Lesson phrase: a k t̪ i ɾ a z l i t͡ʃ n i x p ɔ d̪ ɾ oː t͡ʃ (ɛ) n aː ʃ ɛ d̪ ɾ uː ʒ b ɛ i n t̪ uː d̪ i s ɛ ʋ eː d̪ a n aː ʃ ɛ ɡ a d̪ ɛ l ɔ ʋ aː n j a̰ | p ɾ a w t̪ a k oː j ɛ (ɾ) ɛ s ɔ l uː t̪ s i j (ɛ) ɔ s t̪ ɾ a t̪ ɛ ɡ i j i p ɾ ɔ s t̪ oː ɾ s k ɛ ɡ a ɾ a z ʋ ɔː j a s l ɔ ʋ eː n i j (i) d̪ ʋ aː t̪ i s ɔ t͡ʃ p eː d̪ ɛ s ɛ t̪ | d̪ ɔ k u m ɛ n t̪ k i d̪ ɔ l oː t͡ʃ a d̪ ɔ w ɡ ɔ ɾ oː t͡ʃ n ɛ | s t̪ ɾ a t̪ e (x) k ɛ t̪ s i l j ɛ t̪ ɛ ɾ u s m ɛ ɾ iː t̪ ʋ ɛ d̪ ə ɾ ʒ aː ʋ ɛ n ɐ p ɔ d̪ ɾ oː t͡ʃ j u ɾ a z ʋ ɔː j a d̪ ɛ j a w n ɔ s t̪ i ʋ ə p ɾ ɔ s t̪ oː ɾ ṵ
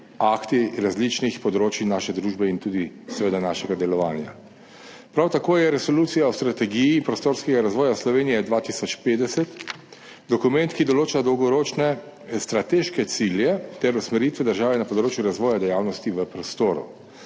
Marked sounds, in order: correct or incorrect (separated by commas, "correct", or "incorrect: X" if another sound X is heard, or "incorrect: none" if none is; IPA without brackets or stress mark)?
incorrect: i, correct, incorrect: a, incorrect: ɛ, incorrect: ʃ